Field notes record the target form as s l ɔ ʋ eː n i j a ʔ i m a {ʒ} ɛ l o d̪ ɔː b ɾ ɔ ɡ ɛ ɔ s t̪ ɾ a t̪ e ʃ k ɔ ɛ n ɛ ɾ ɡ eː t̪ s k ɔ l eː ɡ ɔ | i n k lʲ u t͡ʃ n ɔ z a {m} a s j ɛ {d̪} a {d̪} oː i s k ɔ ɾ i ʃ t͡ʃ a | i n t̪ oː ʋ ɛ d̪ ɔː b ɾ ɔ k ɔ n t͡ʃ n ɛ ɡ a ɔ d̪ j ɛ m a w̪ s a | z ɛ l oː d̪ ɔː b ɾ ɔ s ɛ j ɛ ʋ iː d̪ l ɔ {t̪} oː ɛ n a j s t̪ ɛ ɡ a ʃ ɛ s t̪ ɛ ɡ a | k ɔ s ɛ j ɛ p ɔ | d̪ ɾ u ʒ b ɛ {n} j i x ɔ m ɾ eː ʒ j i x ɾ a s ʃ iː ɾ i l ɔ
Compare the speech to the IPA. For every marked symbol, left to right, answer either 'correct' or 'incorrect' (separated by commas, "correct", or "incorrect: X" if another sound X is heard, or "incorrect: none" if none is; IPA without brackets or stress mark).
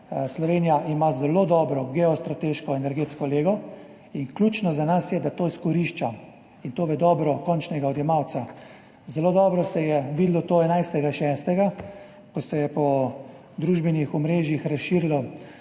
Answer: incorrect: z, incorrect: n, correct, incorrect: t̪, correct, correct